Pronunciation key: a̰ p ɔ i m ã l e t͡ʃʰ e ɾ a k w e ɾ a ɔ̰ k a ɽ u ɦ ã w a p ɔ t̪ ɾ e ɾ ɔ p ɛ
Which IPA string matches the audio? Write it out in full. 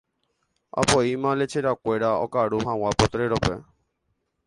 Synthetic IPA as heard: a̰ p ɔ i m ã l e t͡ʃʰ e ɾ a k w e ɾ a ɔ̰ k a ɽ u ɦ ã w a p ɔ t̪ ɾ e ɾ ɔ p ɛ